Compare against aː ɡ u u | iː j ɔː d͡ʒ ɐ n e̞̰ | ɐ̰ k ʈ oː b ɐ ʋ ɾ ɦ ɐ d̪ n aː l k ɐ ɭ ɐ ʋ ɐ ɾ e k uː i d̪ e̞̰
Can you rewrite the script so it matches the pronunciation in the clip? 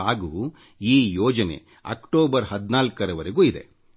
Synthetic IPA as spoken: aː ɡ u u | iː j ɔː d͡ʒ ɐ n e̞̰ | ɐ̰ k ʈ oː b ɐ ɾ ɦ ɐ d̪ n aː l k ɐ ɾ ɐ ʋ ɐ ɾ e ɡ uː i d̪ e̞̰

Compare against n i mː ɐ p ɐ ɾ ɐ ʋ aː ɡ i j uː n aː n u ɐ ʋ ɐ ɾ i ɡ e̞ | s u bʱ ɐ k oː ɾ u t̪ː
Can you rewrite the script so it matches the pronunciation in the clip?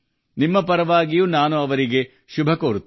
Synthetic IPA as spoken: n i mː ɐ p ɐ ɾ ɐ ʋ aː ɡ i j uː n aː n u ɐ ʋ ɐ ɾ i ɡ e̞ | ʃ u bʱ ɐ k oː ɾ u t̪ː

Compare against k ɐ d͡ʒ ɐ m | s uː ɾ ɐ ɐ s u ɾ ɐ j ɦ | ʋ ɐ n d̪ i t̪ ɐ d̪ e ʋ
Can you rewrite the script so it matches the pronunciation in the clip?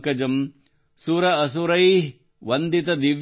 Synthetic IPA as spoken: k ɐ d͡ʒ ɐ m | s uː ɾ ɐ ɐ s u ɾ ɐ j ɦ | ʋ ɐ n d̪ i t̪ ɐ d̪ i ʋ

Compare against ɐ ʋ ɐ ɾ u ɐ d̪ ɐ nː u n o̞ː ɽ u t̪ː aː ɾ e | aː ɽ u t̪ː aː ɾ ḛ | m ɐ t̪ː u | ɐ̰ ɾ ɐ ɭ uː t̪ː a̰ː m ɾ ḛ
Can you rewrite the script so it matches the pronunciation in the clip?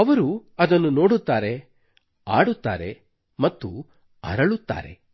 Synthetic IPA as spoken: ɐ ʋ ɐ ɾ u ɐ d̪ ɐ nː u n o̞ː ɽ u t̪ː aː ɾ e | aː ɽ u t̪ː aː ɾ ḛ | m ɐ t̪ː u | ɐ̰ ɾ ɐ ɭ u t̪ː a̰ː ɾ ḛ

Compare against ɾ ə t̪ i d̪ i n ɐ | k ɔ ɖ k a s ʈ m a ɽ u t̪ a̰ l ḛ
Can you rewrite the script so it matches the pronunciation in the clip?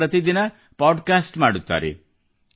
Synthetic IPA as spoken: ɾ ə t̪ i d̪ i n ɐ | p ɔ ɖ k a s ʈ m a ɽ u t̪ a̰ ɾ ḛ

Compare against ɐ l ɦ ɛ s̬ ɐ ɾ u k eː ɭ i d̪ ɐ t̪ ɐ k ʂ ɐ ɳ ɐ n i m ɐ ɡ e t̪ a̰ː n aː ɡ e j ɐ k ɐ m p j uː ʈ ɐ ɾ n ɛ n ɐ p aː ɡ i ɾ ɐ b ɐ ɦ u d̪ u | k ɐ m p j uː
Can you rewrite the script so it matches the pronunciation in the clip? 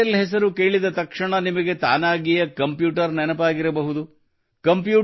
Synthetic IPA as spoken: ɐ l ɦ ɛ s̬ ɐ ɾ u k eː ɭ i d̪ ɐ t̪ ɐ k ʂ ɐ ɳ ɐ n i m ɐ ɡ e t̪ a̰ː n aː ɡ i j ɐ k ɐ m p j uː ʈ ɐ ɾ n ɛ n ɐ p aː ɡ i ɾ ɐ b ɐ ɦ u d̪ u | k ɐ m p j uː

